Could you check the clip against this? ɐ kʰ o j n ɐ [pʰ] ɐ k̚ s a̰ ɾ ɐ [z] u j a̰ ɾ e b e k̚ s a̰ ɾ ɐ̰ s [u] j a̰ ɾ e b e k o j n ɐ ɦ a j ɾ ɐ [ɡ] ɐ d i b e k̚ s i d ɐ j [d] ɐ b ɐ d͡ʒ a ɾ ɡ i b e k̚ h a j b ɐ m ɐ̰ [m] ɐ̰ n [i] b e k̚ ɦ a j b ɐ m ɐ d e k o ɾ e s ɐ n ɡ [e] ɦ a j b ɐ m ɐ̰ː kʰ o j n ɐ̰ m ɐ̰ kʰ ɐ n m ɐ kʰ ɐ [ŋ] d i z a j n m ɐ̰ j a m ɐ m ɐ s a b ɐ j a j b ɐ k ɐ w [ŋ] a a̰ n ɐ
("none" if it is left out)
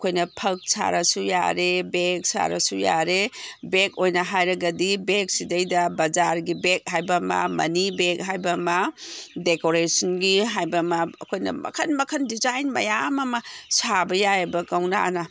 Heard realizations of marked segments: pʰ, s, u, ɡ, d, m, i, i, n, n

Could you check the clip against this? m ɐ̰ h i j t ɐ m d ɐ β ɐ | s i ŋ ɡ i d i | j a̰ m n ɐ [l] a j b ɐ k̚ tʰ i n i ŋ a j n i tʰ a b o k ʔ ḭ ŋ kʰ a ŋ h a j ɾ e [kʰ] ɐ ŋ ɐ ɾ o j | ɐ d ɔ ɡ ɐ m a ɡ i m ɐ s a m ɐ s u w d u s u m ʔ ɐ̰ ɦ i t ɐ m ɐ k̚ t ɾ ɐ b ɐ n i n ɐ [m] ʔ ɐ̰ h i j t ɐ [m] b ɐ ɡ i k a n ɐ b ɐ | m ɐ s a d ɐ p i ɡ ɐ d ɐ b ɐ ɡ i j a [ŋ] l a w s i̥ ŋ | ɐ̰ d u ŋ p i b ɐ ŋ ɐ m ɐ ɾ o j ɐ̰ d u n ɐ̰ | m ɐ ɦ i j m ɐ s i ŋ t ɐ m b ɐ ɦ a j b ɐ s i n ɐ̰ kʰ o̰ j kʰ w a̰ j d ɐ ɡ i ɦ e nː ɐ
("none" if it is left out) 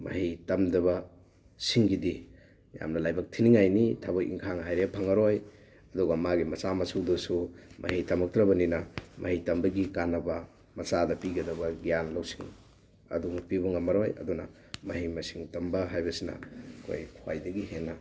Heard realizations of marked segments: l, pʰ, m, m, n

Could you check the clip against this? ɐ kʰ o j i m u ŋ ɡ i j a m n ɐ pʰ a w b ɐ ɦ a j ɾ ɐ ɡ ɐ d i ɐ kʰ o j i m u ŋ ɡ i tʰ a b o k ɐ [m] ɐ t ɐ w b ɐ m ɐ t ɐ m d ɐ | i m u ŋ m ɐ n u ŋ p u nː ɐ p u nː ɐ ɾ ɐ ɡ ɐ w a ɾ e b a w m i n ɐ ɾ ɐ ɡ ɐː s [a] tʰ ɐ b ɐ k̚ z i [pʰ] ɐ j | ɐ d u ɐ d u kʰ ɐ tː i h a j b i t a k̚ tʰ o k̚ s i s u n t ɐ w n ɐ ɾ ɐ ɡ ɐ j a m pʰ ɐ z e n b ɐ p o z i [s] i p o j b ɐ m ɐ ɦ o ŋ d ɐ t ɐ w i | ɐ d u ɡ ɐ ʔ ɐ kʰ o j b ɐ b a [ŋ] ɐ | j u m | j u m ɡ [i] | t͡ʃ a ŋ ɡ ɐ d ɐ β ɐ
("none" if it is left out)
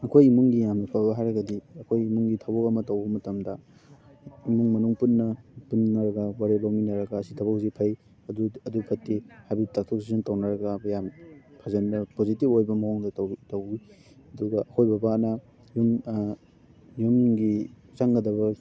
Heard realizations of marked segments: m, i, pʰ, t, n, i

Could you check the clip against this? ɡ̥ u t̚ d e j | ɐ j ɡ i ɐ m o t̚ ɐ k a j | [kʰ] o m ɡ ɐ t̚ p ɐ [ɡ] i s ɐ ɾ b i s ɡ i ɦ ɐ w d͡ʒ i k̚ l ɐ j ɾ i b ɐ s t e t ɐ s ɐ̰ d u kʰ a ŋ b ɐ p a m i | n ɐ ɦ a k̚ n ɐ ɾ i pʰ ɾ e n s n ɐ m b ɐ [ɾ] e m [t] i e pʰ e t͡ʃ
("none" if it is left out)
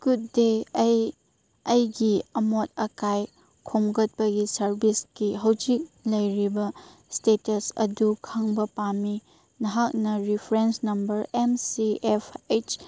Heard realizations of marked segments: kʰ, ɡ, ɾ, s

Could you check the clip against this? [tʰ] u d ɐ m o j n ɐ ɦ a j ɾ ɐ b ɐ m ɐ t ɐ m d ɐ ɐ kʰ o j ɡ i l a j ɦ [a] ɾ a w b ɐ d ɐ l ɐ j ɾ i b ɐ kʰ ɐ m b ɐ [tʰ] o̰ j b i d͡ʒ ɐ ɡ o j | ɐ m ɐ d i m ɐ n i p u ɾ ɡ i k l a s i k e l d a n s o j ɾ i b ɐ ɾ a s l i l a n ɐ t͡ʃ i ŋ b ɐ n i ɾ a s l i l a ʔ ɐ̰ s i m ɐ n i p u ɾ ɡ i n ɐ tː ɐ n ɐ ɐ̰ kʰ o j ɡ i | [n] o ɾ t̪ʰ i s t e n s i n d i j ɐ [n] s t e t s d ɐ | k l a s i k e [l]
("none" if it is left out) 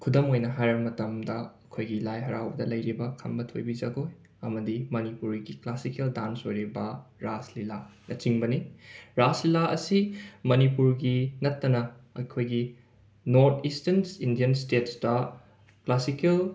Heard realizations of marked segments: kʰ, ɐ, tʰ, n, n, l

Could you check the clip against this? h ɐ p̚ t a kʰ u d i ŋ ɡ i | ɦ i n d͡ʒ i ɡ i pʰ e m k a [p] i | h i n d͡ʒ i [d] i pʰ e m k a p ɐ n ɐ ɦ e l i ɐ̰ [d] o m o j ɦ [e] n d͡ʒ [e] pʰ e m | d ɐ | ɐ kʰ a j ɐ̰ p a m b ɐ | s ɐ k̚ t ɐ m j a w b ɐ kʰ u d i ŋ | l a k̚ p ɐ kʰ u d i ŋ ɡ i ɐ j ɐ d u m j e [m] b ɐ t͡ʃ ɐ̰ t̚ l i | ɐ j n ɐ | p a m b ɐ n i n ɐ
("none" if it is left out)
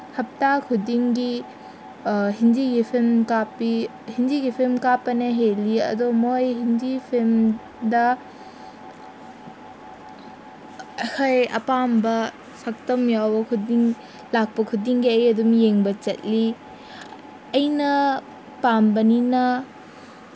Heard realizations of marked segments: p, ɡ, d, i, i, ŋ

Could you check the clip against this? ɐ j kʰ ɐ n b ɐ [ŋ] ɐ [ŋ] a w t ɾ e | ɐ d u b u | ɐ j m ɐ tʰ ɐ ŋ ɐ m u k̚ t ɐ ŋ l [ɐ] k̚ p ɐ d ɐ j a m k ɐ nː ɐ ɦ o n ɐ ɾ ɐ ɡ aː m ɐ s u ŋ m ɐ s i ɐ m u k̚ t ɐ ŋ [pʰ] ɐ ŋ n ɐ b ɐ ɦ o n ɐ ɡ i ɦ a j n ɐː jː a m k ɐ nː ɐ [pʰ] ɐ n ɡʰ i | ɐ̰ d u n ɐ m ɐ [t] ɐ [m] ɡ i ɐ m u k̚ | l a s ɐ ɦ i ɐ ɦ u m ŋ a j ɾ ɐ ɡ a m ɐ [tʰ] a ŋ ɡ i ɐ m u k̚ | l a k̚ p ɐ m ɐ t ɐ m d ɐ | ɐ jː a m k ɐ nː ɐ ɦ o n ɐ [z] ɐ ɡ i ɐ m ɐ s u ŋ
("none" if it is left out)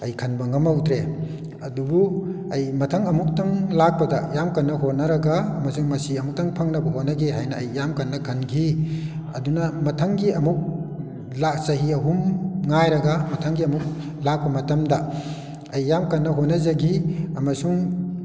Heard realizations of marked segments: ŋ, m, a, pʰ, kʰ, tʰ, ŋ, tʰ, z

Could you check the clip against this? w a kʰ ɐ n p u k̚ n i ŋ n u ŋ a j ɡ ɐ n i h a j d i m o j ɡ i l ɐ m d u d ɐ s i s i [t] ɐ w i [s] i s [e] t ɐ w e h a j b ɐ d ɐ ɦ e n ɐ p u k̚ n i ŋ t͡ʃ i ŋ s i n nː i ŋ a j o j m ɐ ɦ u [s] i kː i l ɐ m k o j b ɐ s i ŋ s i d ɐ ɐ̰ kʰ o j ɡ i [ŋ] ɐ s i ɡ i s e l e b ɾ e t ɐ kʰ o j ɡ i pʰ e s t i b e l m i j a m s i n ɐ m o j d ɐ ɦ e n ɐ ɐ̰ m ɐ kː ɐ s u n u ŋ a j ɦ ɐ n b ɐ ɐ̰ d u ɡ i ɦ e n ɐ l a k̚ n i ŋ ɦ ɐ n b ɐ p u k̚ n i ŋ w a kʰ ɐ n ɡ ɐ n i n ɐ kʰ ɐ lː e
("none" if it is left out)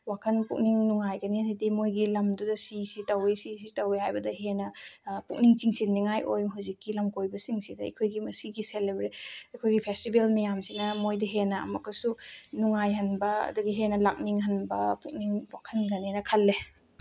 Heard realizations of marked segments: t, s, i, z, m

